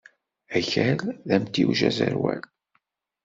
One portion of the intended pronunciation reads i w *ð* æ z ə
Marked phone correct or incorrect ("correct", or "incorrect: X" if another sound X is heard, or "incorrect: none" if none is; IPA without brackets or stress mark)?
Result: incorrect: ʒ